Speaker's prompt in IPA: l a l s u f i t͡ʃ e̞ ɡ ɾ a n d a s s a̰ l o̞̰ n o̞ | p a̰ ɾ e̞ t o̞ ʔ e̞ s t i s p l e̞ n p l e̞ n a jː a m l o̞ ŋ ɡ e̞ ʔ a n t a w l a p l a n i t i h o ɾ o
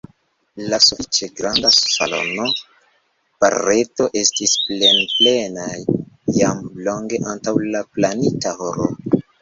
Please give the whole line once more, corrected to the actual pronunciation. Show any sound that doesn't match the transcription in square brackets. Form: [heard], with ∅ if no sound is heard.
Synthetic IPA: l a [∅] s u f i t͡ʃ e̞ ɡ ɾ a n d a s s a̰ l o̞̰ n o̞ | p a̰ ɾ e̞ t o̞ ʔ e̞ s t i s p l e̞ n p l e̞ n a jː a m l o̞ ŋ ɡ e̞ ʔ a n t a w l a p l a n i t [a] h o ɾ o